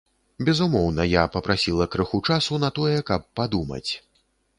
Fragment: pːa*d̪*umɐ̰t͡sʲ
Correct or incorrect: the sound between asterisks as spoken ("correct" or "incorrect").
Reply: correct